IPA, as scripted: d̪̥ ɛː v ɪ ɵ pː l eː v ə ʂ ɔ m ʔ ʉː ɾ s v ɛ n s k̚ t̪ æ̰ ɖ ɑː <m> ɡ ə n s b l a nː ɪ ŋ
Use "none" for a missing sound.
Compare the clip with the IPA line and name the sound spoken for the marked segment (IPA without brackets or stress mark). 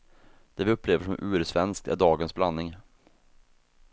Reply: none